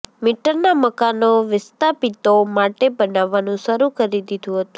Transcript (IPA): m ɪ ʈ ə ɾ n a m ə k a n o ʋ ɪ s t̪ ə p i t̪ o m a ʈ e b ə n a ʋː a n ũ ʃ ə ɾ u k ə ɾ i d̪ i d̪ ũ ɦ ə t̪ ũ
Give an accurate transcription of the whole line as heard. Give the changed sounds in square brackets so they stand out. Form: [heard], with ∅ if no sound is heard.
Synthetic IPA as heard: m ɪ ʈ ə ɾ n a m ə k a n o ʋ ɪ s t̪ [a] p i t̪ o m a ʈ e b ə n a ʋː a n ũ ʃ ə ɾ u k ə ɾ i d̪ i d̪ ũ ɦ ə t̪ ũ